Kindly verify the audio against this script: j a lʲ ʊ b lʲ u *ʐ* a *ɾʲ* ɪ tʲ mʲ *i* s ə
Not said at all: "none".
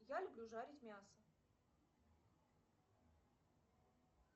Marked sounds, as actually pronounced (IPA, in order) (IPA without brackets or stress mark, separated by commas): ʐ, ɾʲ, a